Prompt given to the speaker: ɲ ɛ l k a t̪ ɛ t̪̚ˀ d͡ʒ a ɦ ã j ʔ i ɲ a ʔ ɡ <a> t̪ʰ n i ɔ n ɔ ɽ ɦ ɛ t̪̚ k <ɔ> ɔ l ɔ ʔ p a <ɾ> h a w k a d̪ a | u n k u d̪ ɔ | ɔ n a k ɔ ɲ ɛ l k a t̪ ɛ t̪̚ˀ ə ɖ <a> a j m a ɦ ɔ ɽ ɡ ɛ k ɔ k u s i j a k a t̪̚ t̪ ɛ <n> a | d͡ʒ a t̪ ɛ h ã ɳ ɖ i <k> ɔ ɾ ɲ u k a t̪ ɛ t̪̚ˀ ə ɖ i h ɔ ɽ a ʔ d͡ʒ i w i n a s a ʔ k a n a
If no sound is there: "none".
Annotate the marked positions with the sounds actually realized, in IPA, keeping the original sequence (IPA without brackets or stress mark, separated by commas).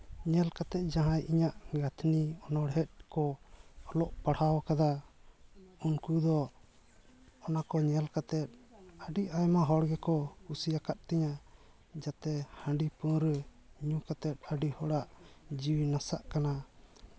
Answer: a, ɔ, ɽ, i, ɲ, p